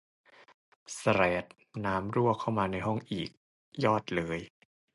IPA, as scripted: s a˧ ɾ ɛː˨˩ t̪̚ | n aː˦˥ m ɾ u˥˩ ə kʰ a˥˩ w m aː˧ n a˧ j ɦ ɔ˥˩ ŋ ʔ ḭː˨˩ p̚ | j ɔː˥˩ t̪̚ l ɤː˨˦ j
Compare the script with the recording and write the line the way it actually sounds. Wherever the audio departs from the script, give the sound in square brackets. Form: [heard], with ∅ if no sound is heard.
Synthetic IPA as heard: s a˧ ɾ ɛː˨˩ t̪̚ | n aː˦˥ m ɾ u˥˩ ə kʰ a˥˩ w m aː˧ n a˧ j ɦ ɔ˥˩ ŋ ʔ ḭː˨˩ [k̚] | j ɔː˥˩ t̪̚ l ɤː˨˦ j